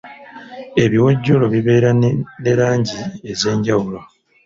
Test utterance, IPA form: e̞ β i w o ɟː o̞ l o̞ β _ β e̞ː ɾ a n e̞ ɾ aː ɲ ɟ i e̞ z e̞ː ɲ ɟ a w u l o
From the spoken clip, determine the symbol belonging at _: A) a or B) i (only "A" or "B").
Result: B